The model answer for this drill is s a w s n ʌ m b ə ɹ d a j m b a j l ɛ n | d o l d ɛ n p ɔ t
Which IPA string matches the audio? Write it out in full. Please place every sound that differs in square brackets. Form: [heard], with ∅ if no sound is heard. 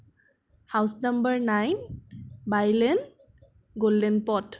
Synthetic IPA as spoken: [h] a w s n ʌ m b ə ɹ [n] a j [n] b a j l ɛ n | [ɡ] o l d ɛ n p ɔ t